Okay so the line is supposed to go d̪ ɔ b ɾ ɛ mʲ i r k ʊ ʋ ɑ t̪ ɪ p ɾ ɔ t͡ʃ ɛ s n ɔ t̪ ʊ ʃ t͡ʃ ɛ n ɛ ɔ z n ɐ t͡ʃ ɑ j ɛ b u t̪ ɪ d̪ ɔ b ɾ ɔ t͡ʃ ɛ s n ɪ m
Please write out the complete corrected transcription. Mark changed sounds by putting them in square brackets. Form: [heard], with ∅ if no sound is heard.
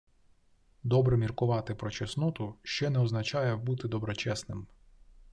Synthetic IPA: d̪ ɔ b ɾ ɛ mʲ i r k ʊ ʋ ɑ t̪ ɪ p ɾ ɔ t͡ʃ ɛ s n ɔ t̪ ʊ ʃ t͡ʃ ɛ n ɛ ɔ z n ɐ t͡ʃ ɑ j ɛ b u t̪ ɪ d̪ ɔ b ɾ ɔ t͡ʃ ɛ s n ɪ m